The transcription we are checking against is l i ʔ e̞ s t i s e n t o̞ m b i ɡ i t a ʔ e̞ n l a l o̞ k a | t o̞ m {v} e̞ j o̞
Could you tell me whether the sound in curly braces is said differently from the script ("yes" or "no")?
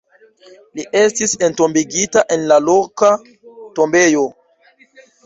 yes